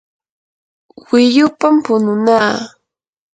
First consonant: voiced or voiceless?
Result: voiced